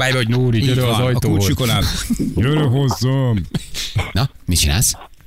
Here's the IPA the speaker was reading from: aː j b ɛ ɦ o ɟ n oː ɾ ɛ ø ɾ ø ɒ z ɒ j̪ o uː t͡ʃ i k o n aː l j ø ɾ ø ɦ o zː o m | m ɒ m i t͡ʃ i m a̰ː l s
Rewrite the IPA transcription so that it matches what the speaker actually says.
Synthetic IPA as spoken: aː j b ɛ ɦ o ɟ n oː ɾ i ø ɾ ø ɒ z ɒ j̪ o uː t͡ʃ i k o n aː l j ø ɾ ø ɦ o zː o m | n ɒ m i t͡ʃ i n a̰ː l s